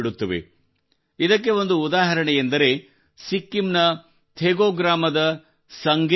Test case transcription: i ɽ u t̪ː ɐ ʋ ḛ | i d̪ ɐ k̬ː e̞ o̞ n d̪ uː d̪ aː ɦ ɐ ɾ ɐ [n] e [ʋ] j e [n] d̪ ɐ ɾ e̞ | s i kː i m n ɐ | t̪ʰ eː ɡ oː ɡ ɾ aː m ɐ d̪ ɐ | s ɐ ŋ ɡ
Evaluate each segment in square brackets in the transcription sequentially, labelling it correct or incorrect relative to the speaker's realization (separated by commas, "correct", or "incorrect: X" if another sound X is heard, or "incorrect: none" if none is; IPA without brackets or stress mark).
incorrect: ɳ, incorrect: none, correct